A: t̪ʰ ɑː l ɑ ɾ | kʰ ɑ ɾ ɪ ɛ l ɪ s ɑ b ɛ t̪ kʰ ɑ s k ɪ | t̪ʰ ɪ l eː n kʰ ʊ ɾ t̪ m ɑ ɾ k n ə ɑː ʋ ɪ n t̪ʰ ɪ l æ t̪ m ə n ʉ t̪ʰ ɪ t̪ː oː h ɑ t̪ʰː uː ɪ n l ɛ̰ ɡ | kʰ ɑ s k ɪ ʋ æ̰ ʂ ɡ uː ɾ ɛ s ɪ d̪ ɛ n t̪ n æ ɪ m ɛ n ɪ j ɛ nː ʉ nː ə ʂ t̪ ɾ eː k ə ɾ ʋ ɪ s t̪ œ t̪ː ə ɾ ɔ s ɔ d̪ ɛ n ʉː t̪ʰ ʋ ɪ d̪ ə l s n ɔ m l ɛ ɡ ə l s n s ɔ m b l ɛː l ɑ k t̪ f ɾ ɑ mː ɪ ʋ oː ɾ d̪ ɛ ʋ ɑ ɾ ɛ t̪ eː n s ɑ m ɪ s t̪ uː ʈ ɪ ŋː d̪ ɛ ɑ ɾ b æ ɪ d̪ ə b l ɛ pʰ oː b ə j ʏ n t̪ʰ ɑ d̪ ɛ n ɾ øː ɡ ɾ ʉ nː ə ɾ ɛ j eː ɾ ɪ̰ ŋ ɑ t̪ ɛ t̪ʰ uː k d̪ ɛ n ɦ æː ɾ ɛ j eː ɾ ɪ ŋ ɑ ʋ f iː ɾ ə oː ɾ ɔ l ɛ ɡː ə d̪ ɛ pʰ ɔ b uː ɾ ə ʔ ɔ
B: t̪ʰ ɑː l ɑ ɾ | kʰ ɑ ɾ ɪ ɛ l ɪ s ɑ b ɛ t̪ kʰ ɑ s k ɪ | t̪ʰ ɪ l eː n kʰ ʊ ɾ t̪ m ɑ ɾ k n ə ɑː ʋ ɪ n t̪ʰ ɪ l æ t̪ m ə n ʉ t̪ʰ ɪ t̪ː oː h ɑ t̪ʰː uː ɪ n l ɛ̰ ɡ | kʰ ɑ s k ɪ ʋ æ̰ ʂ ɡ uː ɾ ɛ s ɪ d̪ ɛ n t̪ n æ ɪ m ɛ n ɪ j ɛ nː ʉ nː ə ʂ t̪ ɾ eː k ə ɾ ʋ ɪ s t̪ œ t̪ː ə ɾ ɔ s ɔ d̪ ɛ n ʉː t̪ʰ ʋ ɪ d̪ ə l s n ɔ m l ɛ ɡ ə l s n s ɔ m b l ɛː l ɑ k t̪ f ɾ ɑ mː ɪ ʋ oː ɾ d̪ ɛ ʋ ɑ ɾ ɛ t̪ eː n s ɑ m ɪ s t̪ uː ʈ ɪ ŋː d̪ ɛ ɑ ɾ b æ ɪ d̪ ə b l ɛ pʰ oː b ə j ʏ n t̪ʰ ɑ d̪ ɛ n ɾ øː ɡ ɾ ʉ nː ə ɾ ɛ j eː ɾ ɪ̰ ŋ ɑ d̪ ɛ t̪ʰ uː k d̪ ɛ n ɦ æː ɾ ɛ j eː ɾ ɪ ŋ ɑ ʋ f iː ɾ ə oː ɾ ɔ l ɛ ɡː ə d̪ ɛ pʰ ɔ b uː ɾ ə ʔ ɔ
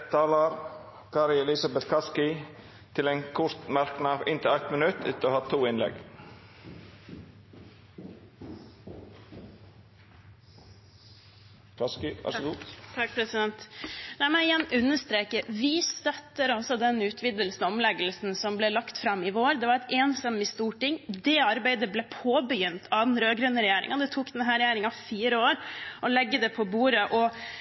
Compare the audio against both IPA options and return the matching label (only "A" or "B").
B